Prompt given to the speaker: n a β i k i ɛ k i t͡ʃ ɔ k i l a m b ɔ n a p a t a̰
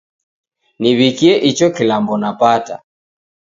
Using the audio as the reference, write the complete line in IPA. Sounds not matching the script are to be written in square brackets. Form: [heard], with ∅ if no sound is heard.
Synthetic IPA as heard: n [i] β i k i ɛ [ʔ] i t͡ʃ ɔ k i l a m b ɔ n a p a t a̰